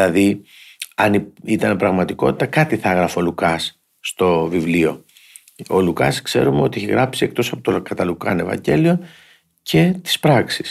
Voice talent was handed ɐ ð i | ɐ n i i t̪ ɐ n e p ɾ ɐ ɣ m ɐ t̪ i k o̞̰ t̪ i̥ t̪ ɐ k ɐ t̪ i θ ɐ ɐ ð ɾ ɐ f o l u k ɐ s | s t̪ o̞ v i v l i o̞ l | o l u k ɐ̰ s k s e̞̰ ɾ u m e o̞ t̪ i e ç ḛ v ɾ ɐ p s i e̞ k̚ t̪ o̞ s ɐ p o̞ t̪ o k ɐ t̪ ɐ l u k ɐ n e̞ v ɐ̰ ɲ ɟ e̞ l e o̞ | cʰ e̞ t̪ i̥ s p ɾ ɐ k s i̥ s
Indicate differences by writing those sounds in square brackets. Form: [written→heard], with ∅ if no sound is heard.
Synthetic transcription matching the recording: ɐ ð i | ɐ n i i t̪ ɐ n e p ɾ ɐ ɣ m ɐ t̪ i k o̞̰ t̪ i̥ t̪ ɐ k ɐ t̪ i θ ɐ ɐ [ð→ɣ] ɾ ɐ f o l u k ɐ s | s t̪ o̞ v i v l i o̞ [l→∅] | o l u k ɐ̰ s k s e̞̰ ɾ u m e o̞ t̪ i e ç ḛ [v→ɣ] ɾ ɐ p s i e̞ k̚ t̪ o̞ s ɐ p o̞ t̪ o k ɐ t̪ ɐ l u k ɐ n e̞ v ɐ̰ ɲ ɟ e̞ l [e→i] o̞ | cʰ e̞ t̪ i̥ s p ɾ ɐ k s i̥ s